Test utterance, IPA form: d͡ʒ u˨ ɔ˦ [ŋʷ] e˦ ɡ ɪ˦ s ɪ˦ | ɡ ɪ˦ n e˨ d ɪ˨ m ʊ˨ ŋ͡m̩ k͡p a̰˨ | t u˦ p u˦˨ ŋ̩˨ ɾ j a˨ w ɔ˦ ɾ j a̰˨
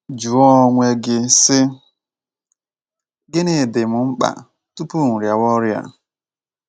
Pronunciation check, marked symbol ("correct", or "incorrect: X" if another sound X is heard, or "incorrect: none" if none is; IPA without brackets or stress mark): correct